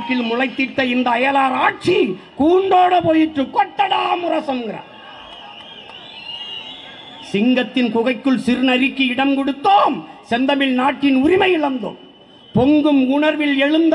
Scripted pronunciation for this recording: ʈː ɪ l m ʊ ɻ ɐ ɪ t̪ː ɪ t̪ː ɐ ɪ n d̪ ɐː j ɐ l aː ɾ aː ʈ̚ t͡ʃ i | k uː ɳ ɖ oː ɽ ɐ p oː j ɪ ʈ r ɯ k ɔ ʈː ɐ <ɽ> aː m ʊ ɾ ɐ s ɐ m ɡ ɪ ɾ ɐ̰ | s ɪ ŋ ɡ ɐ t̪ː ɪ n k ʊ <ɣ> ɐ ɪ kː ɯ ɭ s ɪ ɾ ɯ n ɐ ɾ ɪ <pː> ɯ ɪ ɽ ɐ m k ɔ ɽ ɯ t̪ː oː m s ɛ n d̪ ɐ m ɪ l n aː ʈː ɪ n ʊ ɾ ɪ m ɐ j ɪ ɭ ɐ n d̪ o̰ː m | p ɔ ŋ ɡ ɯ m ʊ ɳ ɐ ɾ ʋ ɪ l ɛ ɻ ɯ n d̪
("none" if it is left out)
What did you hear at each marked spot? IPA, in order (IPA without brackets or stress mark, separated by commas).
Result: ɽ, ɣ, kː